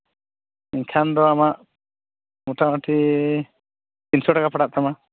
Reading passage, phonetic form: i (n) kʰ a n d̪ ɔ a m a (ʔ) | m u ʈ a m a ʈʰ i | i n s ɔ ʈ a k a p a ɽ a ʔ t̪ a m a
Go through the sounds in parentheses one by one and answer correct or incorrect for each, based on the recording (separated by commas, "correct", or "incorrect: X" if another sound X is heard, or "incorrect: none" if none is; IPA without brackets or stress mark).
incorrect: ɲ, correct